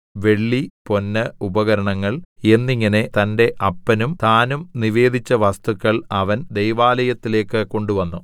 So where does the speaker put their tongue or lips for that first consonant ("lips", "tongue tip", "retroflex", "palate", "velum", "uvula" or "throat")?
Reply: lips